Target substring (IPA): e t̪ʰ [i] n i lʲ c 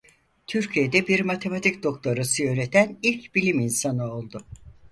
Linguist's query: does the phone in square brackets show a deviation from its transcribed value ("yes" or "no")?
yes